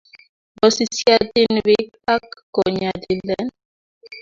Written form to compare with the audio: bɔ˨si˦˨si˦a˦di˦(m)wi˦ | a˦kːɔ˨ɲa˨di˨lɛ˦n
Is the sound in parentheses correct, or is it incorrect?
incorrect